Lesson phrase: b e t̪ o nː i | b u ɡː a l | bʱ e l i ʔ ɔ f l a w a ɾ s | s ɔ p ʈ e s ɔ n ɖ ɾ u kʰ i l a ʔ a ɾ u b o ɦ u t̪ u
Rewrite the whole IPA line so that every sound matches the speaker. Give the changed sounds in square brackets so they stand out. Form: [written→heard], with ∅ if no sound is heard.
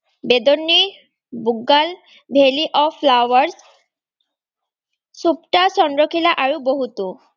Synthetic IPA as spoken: b e [t̪→d̪] o nː i | b u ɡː a l | bʱ e l i ʔ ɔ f l a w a ɾ s | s [ɔ→u] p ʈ [e→a] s ɔ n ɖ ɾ [u→o] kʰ i l a ʔ a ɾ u b o ɦ u t̪ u